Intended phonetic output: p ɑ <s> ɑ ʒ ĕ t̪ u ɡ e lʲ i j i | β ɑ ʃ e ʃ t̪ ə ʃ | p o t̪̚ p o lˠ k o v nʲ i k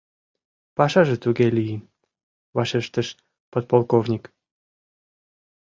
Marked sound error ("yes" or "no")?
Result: yes